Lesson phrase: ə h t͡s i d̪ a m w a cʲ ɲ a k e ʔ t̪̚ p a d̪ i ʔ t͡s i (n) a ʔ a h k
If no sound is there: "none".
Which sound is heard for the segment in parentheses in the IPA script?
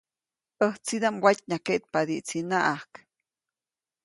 n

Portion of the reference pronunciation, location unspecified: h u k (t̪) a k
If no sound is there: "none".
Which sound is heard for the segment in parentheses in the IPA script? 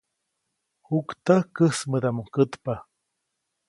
t̪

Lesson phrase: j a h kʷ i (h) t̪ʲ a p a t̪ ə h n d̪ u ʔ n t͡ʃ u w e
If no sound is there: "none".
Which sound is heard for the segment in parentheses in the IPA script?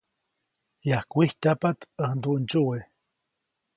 h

